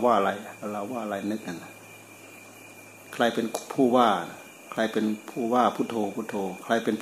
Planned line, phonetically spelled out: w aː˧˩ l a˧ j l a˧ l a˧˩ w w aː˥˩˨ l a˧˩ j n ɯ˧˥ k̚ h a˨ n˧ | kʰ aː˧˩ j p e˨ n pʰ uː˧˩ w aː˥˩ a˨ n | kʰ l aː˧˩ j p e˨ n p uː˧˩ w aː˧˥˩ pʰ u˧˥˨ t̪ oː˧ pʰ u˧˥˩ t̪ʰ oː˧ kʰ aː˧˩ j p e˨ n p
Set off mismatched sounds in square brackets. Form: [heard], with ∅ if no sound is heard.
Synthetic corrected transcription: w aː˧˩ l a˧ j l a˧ l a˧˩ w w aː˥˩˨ l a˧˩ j n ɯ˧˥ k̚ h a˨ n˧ | kʰ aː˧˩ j p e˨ n pʰ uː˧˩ w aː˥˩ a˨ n | kʰ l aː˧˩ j p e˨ n [pʰ] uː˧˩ w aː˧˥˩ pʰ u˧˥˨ [t̪ʰ] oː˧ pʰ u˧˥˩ t̪ʰ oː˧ kʰ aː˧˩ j p e˨ n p